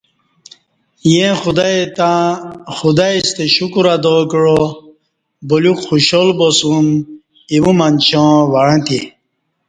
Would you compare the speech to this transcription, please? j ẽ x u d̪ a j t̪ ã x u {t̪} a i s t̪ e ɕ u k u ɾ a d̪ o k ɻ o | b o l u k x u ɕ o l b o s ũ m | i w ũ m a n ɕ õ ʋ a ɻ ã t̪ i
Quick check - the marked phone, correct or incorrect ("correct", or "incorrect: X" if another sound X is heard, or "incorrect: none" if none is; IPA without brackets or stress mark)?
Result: incorrect: d̪